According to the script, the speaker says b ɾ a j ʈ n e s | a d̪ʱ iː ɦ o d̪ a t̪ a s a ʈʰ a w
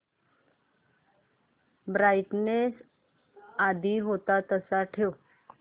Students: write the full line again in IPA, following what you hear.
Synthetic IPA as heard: b ɾ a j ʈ n e s | a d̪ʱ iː ɦ o t̪ a t̪ ə s a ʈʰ e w